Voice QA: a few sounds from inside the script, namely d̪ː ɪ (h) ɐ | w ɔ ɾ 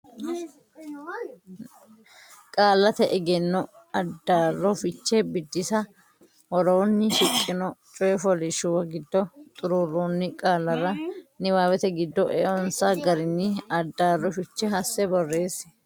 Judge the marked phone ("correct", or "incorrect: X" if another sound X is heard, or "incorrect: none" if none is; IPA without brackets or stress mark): incorrect: s